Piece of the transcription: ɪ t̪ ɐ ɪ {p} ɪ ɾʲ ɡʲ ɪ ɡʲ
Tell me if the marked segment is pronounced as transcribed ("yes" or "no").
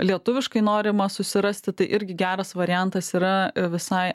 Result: no